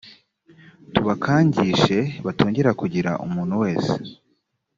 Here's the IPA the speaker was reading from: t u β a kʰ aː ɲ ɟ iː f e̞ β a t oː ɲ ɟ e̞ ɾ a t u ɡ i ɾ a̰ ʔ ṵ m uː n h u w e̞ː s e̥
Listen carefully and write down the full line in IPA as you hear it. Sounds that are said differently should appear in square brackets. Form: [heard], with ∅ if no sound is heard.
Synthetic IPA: t u β a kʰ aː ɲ ɟ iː [ʃ] e̞ β a t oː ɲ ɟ e̞ ɾ a [k] u [ɟ] i ɾ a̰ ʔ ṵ m uː n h u w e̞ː s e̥